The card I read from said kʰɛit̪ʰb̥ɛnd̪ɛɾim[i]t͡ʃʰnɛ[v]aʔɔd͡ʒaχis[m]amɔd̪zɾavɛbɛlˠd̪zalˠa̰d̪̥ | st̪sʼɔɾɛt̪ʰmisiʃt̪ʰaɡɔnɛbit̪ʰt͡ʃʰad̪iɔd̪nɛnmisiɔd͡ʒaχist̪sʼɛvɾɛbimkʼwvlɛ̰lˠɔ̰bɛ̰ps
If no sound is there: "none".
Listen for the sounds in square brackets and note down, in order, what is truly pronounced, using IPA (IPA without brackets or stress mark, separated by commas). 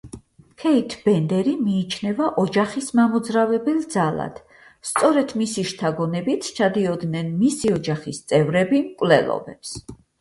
iː, v, m